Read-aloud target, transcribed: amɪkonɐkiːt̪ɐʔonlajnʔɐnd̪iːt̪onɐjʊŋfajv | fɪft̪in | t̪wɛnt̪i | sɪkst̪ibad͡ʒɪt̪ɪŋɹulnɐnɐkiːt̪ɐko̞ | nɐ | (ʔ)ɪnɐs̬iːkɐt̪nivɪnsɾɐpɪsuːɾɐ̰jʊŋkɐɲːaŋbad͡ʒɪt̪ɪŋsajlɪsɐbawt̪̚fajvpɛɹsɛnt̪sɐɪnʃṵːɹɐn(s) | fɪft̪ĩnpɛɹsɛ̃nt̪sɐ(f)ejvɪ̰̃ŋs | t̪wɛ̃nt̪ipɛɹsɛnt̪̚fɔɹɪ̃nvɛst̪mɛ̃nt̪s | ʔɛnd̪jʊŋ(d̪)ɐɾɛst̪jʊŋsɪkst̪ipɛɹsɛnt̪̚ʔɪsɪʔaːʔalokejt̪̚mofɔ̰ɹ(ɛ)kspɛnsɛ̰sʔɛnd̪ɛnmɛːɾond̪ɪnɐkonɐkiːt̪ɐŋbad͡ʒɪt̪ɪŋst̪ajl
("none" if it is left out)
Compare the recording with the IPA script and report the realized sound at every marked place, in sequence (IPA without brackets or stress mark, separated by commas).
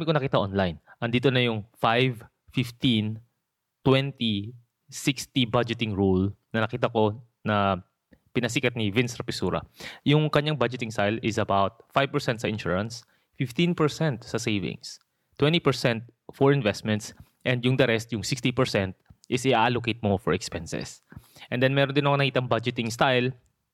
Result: p, s, s, d̪, ɛ